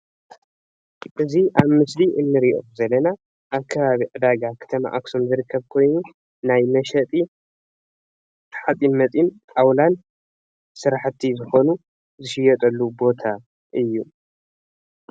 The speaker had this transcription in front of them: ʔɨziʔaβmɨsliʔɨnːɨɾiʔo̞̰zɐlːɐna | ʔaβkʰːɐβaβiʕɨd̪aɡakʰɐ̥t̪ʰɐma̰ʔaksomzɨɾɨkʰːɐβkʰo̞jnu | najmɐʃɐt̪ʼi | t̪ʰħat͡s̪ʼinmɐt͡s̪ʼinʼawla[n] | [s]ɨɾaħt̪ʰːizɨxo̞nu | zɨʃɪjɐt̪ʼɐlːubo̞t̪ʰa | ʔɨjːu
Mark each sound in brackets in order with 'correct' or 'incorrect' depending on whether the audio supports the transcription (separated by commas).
correct, correct